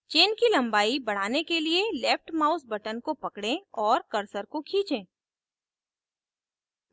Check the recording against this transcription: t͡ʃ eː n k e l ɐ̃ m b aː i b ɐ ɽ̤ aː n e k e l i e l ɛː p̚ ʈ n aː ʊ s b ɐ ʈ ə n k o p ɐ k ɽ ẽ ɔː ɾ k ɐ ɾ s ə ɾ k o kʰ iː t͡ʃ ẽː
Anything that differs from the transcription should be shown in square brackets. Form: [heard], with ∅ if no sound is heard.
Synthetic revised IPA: t͡ʃ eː n k [i] l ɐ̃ m b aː i b ɐ ɽ̤ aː n e k e l i e l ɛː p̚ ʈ [m] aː ʊ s b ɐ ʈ ə n k o p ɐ k ɽ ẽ ɔː ɾ k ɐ ɾ s ə ɾ k o kʰ iː t͡ʃ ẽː